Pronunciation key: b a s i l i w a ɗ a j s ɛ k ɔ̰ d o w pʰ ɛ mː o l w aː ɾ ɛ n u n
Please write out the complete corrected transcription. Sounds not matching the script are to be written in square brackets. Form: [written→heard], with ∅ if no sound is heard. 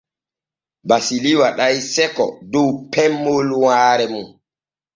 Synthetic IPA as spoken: b a s i l i w a ɗ a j s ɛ k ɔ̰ d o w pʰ ɛ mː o l w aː ɾ ɛ [n→m] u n